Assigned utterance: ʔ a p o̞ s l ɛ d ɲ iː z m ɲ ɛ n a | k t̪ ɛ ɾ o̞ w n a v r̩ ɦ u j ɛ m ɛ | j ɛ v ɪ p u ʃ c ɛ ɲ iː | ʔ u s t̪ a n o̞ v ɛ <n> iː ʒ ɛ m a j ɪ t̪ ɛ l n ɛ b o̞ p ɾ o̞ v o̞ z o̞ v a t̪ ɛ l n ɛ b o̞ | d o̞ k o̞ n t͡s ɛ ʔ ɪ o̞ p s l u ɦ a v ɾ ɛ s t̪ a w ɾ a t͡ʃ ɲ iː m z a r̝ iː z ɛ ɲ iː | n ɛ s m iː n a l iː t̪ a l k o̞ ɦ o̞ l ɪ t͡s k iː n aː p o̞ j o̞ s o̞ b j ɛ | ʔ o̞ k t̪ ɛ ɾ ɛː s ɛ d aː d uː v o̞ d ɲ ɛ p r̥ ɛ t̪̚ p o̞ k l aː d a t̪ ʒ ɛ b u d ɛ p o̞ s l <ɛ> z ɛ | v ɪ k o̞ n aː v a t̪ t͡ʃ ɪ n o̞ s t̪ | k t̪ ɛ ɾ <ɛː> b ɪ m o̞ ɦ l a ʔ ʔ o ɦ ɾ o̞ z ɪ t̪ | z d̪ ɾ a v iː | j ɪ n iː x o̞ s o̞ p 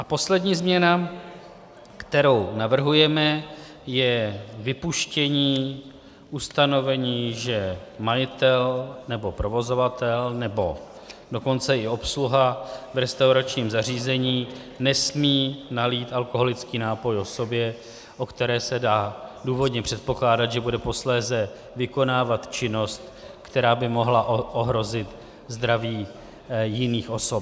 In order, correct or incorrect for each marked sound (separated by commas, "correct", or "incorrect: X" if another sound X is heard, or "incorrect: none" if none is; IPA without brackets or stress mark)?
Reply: incorrect: ɲ, incorrect: ɛː, incorrect: aː